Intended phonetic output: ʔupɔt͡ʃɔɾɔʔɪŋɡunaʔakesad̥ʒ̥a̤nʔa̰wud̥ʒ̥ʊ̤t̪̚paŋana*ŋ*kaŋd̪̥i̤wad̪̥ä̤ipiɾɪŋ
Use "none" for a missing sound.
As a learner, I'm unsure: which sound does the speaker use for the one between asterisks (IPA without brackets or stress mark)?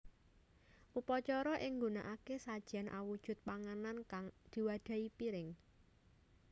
n